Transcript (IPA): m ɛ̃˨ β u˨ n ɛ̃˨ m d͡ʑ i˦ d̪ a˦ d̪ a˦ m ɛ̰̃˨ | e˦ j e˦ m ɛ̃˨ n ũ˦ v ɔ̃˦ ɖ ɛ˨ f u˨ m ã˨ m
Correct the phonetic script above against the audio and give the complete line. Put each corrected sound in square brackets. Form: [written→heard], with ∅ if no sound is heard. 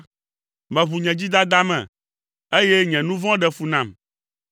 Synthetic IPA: m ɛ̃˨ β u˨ [n→ɲ] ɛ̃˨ [m→∅] d͡ʑ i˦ d̪ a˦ d̪ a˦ m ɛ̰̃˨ | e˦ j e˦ [m→ɲ] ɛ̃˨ n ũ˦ v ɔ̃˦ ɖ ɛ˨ f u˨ [m→n] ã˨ m